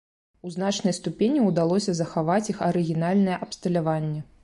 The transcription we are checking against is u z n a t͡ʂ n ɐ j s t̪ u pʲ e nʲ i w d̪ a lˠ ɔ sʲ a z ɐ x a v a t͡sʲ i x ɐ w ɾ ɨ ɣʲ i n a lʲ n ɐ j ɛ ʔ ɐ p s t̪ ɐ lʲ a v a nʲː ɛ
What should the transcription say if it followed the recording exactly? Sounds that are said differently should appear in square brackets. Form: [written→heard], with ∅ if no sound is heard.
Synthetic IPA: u z n a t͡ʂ n ɐ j s t̪ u pʲ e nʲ i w d̪ a lˠ ɔ sʲ [a→ɐ] z ɐ x a v a t͡sʲ i x ɐ [w→∅] ɾ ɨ ɣʲ i n a lʲ n ɐ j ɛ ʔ ɐ p s t̪ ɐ lʲ a v a nʲː ɛ